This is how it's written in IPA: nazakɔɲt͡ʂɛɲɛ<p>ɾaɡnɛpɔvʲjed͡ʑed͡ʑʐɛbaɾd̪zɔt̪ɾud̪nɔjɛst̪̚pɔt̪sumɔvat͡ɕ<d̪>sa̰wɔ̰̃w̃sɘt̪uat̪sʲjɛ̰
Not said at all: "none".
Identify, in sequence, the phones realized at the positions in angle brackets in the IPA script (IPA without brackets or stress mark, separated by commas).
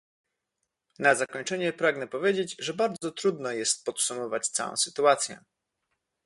p, t̪